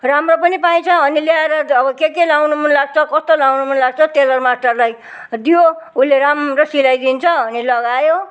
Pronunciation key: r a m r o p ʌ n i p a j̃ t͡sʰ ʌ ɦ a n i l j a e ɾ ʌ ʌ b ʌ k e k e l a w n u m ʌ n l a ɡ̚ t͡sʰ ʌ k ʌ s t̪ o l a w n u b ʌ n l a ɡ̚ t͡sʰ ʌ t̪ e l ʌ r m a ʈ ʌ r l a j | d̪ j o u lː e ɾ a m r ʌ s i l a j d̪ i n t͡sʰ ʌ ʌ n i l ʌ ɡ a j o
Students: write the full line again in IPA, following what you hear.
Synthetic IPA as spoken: r a m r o p ʌ n i p a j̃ t͡sʰ ʌ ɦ ʌ n i l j a e ɾ ʌ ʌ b ʌ k e k e l a w n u m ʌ n l a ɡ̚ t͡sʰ ʌ k ʌ s t̪ o l a w n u m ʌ n l a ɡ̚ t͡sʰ ʌ t̪ e l ʌ r m a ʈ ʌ r l a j | d̪ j o u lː e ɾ a m r ʌ s i l a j d̪ i n t͡sʰ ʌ ʌ n i l ʌ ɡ a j o